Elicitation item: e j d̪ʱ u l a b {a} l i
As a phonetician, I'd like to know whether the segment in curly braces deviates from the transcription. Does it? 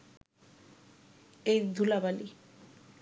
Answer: no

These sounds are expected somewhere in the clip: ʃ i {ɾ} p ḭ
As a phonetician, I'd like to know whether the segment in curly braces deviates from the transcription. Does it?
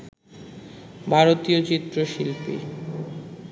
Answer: yes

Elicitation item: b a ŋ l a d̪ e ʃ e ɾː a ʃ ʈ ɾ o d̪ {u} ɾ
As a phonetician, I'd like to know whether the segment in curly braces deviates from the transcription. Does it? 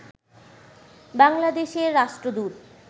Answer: no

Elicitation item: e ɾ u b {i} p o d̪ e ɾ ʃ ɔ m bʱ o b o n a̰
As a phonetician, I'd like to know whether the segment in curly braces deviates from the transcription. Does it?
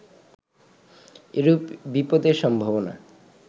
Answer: no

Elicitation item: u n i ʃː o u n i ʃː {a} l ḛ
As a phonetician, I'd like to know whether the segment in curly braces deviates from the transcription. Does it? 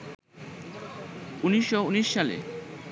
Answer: no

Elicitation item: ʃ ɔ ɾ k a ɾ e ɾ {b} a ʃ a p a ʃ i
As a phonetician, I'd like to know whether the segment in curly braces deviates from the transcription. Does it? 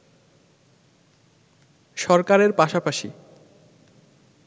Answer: yes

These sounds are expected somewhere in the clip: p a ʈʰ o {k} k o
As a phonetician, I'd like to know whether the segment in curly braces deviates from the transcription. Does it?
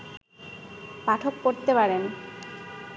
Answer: no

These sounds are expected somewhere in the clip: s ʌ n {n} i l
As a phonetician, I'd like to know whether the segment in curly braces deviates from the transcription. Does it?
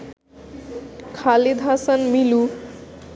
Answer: yes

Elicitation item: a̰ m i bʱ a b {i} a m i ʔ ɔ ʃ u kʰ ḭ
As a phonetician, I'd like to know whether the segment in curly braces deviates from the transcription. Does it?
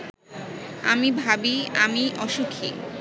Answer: no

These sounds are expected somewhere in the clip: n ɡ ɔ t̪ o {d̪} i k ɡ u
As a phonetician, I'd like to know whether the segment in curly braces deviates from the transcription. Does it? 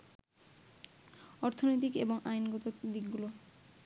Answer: no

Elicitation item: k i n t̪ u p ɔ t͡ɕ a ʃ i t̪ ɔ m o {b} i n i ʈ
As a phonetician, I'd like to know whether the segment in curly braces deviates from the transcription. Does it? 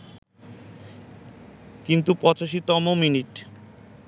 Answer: yes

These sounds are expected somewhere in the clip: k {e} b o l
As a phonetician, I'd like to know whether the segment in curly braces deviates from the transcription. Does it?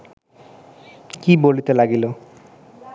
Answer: yes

